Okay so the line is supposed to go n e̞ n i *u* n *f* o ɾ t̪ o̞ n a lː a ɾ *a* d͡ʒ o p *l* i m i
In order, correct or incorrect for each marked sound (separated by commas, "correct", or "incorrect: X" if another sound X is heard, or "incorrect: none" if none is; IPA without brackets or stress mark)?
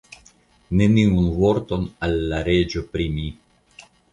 correct, incorrect: v, incorrect: e, incorrect: ɾ